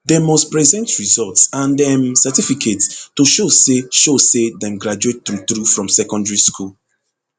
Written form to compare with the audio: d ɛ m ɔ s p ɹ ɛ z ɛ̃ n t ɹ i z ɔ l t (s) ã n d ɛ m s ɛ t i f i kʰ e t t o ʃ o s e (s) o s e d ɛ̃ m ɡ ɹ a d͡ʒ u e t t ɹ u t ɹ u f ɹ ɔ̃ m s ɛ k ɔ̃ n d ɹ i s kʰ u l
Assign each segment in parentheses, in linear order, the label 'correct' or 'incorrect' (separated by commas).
correct, incorrect